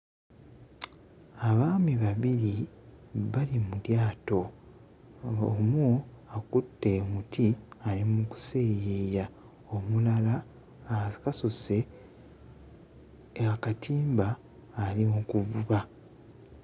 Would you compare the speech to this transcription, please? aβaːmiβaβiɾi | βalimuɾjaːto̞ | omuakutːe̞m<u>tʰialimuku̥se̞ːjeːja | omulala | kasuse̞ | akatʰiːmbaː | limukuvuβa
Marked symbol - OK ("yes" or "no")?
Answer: yes